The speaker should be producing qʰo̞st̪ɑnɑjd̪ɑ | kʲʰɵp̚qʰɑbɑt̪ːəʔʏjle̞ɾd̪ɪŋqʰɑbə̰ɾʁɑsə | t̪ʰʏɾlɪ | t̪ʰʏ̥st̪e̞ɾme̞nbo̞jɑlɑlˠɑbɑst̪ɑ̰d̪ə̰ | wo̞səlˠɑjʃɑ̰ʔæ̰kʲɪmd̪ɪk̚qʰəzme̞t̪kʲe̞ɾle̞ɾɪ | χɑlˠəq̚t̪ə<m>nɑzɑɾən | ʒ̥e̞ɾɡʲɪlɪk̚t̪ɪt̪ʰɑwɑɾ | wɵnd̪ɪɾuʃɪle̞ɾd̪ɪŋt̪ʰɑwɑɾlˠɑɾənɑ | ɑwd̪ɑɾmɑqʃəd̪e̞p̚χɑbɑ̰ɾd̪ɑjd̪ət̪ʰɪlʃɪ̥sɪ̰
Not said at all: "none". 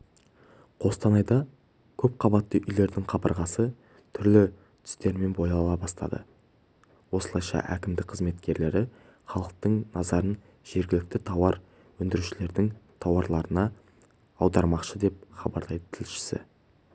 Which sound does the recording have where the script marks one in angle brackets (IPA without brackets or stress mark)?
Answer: ɴ